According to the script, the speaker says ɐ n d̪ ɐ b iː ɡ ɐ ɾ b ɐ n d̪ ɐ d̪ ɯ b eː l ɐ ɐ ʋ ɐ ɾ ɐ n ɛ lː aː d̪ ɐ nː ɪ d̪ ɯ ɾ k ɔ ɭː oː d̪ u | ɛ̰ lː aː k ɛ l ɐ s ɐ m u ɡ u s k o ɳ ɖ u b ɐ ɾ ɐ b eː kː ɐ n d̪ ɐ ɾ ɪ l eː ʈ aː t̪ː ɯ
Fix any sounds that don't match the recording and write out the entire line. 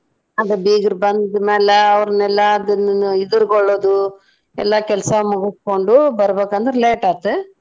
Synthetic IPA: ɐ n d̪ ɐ b iː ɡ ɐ ɾ b ɐ n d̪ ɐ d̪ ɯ m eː l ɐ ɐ ʋ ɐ ɾ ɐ n ɛ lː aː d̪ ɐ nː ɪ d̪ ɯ ɾ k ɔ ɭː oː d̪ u | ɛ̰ lː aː k ɛ l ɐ s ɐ m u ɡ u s k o ɳ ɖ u b ɐ ɾ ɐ b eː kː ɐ n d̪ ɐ ɾ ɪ l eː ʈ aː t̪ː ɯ

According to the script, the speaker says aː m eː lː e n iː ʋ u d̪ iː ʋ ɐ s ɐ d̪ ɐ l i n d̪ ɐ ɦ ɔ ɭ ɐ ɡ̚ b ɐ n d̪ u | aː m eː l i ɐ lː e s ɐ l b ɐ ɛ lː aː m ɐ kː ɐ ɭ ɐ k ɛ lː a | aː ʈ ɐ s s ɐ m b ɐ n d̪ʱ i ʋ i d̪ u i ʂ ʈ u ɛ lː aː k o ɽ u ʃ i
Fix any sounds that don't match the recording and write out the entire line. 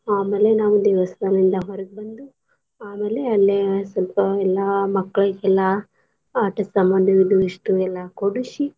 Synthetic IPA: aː m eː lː e n aː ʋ u d̪ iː ʋ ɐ s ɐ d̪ ɐ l i n d̪ ɐ ɦ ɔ ɾ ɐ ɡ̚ b ɐ n d̪ u | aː m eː l e ɐ lː e s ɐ l p ɐ ɛ lː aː m ɐ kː ɐ ɭ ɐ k ɛ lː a | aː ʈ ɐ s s ɐ m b ɐ n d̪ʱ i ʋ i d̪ u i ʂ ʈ u ɛ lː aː k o ɽ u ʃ i

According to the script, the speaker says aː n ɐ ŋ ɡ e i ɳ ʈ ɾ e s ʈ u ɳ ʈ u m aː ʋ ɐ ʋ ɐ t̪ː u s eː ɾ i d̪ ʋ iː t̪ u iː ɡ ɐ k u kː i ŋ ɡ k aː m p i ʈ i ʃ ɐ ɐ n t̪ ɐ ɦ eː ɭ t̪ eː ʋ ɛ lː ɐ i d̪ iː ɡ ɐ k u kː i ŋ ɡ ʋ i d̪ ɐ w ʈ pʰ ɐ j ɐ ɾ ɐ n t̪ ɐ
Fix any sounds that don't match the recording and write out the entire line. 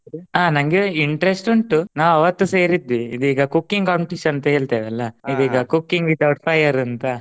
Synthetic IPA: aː n ɐ ŋ ɡ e i ɳ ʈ ɾ e s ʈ u ɳ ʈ u n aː ʋ ɐ ʋ ɐ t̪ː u s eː ɾ i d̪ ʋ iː d̪ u iː ɡ ɐ k u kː i ŋ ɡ k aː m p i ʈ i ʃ ɐ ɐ n t̪ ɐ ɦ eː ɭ t̪ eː ʋ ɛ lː ɐ i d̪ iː ɡ ɐ k u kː i ŋ ɡ ʋ i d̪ ɐ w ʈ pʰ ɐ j ɐ ɾ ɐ n t̪ ɐ

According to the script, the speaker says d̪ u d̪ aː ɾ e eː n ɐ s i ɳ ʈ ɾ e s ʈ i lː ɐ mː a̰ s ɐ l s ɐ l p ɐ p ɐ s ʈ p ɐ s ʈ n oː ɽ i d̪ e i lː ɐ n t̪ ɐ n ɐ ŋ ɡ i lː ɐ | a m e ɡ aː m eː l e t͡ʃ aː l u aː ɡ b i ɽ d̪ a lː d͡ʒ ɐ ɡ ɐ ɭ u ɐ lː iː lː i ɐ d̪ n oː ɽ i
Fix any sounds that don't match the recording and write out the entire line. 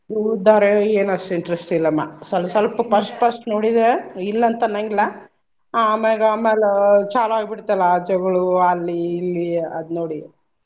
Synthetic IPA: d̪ u d̪ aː ɾ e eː n ɐ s i ɳ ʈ ɾ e s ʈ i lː ɐ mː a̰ s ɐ l s ɐ l p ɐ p ɐ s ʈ p ɐ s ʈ n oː ɽ i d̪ e i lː ɐ n t̪ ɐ n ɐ ŋ ɡ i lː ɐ | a m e ɡ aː m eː l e t͡ʃ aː l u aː ɡ b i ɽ t̪ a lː d͡ʒ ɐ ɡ ɐ ɭ u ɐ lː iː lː i ɐ d̪ n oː ɽ i

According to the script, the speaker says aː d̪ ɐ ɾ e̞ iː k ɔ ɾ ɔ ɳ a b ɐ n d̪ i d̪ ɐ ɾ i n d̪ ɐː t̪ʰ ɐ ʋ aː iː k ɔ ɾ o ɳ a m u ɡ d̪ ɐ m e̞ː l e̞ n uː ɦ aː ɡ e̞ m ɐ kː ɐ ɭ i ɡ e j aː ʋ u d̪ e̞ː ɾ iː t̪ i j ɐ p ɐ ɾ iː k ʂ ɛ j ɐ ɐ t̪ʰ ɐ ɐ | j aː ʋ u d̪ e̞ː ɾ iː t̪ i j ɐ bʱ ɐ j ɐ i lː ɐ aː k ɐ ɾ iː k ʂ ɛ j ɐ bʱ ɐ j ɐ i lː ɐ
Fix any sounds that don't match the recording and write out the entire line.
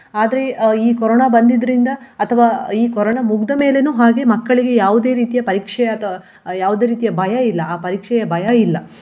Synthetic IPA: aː d̪ ɐ ɾ e̞ iː k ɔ ɾ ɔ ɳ a b ɐ n d̪ i d̪ ɐ ɾ i n d̪ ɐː t̪ʰ ɐ ʋ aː iː k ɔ ɾ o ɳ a m u ɡ d̪ ɐ m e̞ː l e̞ n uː ɦ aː ɡ e̞ m ɐ kː ɐ ɭ i ɡ e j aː ʋ u d̪ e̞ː ɾ iː t̪ i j ɐ p ɐ ɾ iː k ʂ ɛ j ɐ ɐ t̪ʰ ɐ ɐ | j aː ʋ u d̪ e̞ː ɾ iː t̪ i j ɐ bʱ ɐ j ɐ i lː ɐ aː p ɐ ɾ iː k ʂ ɛ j ɐ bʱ ɐ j ɐ i lː ɐ

